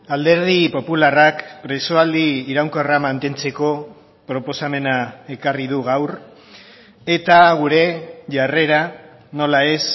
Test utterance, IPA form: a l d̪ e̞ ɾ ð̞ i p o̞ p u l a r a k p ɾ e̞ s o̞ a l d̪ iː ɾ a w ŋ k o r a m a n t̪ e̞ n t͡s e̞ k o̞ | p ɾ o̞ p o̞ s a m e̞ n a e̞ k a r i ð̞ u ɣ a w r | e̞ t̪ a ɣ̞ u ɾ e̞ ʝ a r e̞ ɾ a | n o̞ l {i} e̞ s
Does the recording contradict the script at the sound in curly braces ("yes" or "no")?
yes